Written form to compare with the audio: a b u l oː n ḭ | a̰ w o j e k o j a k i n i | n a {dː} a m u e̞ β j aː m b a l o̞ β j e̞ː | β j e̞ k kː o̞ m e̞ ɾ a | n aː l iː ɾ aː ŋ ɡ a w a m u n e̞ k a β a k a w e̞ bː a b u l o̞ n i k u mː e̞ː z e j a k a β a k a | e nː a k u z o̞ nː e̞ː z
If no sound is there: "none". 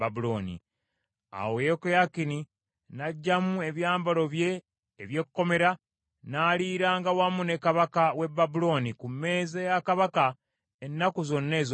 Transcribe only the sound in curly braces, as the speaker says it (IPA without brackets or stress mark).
ɟː